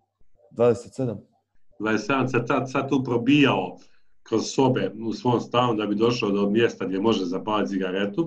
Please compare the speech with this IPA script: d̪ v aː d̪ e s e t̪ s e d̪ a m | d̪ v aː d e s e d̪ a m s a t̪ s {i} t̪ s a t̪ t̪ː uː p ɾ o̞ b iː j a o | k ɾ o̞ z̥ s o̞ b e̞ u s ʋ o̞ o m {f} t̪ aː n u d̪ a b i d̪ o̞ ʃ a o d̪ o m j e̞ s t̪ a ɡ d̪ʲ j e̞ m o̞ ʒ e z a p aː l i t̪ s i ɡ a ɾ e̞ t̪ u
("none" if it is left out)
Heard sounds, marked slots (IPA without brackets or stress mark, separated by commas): a, s